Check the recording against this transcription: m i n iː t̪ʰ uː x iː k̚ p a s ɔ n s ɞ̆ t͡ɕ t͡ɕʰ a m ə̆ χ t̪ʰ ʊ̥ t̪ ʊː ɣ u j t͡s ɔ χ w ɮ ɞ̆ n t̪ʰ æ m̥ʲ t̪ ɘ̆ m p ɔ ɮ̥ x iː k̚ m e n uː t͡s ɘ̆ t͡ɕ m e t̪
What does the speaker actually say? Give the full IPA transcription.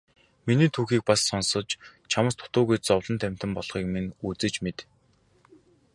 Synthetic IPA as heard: m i n iː t̪ʰ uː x iː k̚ p a sː ɔ n s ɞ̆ t͡ɕ t͡ɕʰ a m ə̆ s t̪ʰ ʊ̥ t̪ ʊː ɣ u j t͡s ɔ w ɮ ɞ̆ n t̪ʰ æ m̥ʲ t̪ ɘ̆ m p ɔ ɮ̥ χ iː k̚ m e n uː t͡s ɘ̆ t͡ɕ m e t̪